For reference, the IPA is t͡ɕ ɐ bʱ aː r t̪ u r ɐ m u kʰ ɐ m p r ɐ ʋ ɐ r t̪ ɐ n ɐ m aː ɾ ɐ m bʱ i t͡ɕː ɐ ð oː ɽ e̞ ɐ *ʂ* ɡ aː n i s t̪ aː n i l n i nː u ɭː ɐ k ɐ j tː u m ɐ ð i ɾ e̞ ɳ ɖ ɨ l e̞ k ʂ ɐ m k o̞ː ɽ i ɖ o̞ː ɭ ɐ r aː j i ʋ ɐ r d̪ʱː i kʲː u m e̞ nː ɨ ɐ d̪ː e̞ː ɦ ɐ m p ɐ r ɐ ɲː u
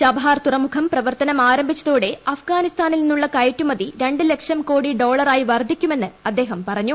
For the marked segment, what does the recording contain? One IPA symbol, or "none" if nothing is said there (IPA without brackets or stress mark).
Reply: f